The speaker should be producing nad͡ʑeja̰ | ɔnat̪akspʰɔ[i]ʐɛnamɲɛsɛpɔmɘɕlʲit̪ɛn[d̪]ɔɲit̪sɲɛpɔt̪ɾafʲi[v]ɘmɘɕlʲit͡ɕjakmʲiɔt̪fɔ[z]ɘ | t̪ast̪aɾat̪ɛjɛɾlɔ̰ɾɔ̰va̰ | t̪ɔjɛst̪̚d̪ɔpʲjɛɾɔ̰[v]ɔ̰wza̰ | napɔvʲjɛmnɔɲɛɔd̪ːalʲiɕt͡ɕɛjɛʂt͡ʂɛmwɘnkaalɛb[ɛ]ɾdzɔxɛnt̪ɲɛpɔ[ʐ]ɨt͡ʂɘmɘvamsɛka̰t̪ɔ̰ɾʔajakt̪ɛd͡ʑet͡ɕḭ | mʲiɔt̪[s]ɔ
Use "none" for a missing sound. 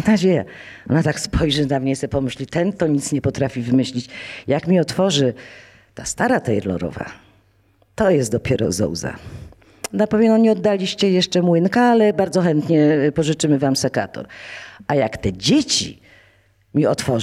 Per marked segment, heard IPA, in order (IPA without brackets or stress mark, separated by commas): j, t̪, v, ʐ, z, a, ʐ, f